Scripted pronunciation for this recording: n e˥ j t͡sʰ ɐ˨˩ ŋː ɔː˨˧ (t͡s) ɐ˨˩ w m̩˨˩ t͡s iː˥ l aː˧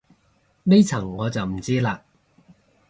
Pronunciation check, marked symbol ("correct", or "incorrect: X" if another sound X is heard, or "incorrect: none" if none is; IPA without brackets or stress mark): correct